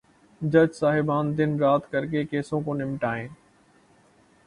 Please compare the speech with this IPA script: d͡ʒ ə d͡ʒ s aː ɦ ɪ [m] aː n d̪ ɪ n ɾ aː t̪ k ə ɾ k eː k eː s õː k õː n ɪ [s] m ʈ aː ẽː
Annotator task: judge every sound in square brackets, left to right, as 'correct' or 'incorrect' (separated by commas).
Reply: incorrect, incorrect